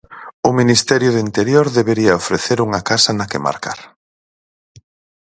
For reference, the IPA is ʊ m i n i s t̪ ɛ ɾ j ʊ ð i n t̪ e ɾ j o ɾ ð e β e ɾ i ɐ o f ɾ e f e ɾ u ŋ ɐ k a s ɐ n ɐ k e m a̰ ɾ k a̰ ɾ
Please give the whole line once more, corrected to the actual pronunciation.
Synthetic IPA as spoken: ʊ m i n i s t̪ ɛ ɾ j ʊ ð i n t̪ e ɾ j o ɾ ð e β e ɾ i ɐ o f ɾ e θ e ɾ u ŋ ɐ k a s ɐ n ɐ k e m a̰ ɾ k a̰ ɾ